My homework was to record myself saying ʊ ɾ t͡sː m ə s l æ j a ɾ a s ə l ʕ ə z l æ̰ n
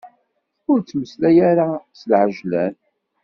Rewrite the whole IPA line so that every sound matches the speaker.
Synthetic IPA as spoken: ʊ ɾ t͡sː m ə s l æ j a ɾ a s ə l ʕ ə ʒ l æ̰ n